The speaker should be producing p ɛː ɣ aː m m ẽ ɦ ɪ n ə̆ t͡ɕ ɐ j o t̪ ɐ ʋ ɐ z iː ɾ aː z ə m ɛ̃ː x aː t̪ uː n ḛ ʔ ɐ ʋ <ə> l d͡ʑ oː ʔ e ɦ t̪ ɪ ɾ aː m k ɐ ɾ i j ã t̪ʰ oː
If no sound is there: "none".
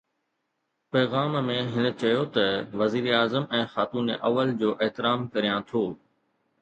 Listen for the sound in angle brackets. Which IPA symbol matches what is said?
ə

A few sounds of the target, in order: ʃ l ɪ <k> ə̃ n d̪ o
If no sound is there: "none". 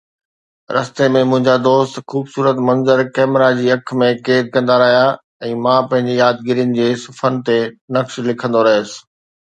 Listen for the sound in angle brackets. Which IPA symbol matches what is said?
kʰ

